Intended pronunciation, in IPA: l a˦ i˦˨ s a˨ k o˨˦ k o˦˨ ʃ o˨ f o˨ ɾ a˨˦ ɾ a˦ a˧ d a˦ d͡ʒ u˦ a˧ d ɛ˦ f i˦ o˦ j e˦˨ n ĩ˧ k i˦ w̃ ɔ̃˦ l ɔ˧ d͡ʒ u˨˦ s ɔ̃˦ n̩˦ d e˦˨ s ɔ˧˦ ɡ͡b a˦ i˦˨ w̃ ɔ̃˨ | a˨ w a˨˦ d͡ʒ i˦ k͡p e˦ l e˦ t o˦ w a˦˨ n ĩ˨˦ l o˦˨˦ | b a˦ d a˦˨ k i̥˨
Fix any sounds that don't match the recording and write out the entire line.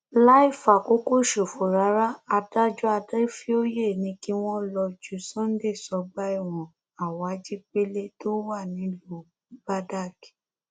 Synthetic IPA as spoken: l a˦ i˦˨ f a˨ k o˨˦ k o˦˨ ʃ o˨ f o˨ ɾ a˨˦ ɾ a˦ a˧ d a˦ d͡ʒ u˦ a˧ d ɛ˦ f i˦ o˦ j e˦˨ n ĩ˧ k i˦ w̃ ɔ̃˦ l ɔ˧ d͡ʒ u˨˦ s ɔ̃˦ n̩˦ d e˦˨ s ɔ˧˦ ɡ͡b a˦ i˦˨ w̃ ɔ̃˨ | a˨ w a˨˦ d͡ʒ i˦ k͡p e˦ l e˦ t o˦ w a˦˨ n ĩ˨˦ l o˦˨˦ | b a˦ d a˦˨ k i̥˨